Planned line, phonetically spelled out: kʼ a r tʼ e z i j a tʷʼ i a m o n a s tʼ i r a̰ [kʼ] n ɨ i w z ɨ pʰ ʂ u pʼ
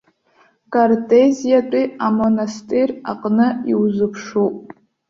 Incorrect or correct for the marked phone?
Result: incorrect: qʼ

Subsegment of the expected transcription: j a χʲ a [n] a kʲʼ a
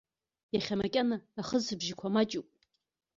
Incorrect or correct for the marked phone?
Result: incorrect: m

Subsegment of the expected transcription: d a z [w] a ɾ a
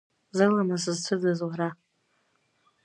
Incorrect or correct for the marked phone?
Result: correct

